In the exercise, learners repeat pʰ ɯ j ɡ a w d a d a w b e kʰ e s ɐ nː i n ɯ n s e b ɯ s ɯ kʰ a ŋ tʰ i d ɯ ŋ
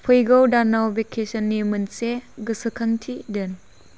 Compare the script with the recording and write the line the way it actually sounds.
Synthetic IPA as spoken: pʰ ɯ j ɡ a w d a n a w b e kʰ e s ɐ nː i m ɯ n s e ɡ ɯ s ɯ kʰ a ŋ tʰ i d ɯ n

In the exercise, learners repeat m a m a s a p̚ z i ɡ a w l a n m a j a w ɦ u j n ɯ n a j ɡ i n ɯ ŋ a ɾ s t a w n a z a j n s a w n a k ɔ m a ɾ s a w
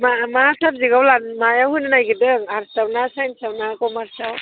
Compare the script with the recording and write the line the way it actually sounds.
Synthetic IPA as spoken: m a m a s a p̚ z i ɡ a w l a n m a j a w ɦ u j n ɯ n a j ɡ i d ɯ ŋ a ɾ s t a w n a s a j n s a w n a k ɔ m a ɾ s a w

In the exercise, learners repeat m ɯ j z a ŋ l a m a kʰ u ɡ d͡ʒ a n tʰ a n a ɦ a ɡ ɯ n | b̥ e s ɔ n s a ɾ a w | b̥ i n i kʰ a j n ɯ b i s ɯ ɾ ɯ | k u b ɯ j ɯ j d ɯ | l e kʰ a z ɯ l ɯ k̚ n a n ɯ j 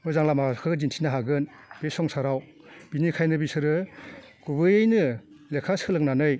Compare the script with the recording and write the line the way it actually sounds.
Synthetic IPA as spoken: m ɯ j z a ŋ l a m a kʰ ɯ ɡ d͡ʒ i n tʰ i n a ɦ a ɡ ɯ n | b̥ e s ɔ ŋ s a ɾ a w | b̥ i n i kʰ a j n ɯ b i s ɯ ɾ ɯ | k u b ɯ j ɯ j n ɯ | l e kʰ a s ɯ l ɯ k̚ n a n ɯ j

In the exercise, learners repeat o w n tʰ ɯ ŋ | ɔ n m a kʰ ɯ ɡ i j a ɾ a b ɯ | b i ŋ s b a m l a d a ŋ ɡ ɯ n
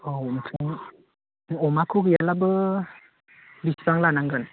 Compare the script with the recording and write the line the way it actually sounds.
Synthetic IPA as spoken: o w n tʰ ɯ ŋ | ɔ m a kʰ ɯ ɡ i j a l a b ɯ | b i s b a ŋ l a n a ŋ ɡ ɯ n

